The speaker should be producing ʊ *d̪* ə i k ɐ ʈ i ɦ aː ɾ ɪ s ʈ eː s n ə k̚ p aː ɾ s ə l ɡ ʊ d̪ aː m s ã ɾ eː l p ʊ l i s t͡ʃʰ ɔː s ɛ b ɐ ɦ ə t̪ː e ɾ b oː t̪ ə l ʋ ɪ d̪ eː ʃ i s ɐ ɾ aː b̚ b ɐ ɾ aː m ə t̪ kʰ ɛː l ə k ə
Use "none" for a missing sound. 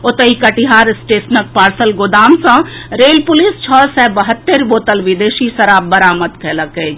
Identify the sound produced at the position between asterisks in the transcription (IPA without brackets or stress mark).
t̪